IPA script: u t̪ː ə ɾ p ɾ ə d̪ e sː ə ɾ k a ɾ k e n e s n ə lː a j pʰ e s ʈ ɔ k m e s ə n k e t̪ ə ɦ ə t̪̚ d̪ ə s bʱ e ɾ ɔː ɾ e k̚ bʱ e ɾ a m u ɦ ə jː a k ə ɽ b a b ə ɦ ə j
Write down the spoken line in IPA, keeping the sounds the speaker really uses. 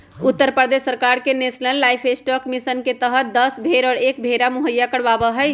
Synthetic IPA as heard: u t̪ː ə ɾ p ɾ ə d̪ e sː ə ɾ k a ɾ k e n e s n ə lː a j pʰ e s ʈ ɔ k m i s ə n k e t̪ ə ɦ ə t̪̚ d̪ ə s bʱ e ɾ ɔː ɾ e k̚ bʱ e ɾ a m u ɦ ə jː a k ə ɽ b a b ə ɦ ə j